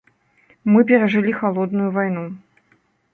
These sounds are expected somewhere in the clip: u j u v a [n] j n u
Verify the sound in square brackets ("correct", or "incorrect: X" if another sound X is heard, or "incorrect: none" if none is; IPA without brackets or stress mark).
incorrect: none